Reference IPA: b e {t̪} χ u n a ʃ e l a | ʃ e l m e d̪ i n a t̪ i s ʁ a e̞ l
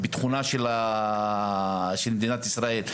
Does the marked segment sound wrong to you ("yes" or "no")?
no